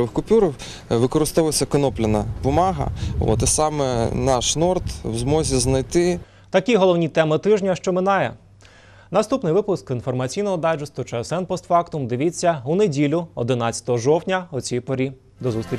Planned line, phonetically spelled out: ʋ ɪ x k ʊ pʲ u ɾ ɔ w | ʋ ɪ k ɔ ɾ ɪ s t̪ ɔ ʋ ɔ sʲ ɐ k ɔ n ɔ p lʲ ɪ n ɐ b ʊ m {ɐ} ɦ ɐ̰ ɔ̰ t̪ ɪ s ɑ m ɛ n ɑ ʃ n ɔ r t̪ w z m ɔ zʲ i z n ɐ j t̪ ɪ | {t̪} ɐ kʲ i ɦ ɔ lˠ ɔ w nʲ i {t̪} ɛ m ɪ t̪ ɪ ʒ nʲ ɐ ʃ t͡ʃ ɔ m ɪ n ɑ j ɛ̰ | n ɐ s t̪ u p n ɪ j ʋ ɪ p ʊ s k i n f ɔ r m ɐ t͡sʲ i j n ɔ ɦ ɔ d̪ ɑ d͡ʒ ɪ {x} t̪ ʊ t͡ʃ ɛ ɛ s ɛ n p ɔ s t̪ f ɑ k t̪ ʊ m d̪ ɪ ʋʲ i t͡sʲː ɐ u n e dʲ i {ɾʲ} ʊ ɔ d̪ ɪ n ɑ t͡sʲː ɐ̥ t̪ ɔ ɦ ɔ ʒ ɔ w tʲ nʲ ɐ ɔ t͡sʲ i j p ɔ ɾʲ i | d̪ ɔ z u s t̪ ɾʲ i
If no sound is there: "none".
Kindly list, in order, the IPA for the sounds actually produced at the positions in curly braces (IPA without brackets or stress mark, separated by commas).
ɑ, t̪, t̪, s, lʲ